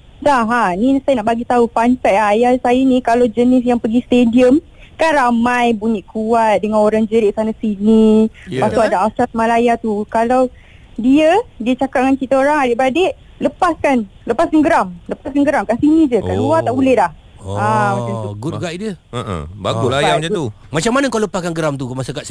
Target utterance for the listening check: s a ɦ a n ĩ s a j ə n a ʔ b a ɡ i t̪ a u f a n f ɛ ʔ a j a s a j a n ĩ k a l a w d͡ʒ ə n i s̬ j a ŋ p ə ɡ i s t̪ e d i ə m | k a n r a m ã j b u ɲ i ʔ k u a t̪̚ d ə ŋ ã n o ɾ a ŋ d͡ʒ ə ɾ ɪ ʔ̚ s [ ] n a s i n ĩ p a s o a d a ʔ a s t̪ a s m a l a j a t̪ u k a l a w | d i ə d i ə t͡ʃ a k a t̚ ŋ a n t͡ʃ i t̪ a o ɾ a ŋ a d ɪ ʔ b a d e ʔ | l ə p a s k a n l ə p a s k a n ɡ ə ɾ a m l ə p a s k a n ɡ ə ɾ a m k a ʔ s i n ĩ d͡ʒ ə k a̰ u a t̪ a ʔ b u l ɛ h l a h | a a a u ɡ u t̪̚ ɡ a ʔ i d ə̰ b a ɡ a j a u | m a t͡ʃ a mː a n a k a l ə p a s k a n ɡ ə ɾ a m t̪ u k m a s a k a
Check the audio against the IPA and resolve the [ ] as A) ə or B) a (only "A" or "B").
B